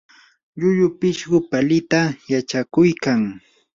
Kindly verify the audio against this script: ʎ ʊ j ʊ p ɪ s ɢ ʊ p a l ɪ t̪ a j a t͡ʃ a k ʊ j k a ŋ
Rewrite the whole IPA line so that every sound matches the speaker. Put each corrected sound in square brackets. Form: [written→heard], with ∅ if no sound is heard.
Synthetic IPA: ʎ ʊ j ʊ p ɪ [s→ʃ] ɢ ʊ p a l ɪ t̪ a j a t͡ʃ a k ʊ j k a ŋ